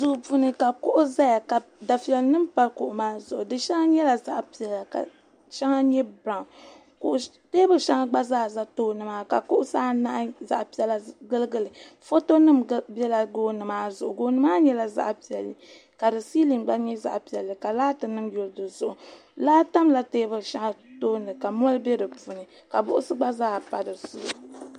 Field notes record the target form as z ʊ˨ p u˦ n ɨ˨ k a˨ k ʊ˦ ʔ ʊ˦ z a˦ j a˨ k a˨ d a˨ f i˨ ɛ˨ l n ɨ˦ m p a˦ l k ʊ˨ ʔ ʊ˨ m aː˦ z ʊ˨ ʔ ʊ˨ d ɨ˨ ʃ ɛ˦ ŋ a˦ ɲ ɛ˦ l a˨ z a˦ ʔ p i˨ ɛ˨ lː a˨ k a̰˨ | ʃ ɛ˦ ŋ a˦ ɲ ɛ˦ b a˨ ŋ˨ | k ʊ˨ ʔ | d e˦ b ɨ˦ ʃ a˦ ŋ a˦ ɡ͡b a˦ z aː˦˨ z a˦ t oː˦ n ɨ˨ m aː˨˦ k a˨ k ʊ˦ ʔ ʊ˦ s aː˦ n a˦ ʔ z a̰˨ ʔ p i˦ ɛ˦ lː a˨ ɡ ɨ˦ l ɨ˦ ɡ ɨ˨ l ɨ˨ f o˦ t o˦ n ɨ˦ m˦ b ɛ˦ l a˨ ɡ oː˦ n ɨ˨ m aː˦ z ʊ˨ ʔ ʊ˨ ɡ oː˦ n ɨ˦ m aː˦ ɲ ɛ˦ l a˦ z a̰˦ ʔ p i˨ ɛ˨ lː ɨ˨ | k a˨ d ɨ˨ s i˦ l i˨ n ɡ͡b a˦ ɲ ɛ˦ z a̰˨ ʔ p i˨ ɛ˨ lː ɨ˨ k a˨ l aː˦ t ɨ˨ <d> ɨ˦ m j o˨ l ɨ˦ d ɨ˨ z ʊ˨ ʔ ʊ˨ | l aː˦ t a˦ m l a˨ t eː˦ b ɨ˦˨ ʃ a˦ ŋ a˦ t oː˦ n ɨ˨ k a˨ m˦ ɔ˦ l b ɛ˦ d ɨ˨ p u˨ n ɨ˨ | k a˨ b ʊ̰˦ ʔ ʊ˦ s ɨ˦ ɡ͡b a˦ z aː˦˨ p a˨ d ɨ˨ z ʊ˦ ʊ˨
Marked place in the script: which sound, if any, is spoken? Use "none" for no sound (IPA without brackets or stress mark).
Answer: n